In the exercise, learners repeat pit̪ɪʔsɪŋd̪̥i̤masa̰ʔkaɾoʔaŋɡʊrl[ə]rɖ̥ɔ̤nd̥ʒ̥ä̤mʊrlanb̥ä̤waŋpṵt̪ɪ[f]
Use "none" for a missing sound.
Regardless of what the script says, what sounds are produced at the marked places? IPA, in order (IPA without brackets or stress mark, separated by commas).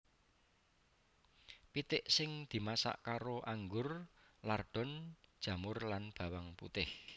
a, h